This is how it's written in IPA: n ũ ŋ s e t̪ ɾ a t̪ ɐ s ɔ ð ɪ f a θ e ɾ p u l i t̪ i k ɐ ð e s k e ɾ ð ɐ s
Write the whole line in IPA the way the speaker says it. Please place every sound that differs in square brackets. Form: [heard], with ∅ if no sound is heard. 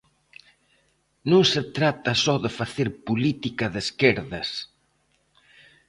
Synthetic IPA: n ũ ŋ s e t̪ ɾ a t̪ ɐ s ɔ ð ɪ f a θ e ɾ p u l i t̪ i k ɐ ð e s k e ɾ ð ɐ s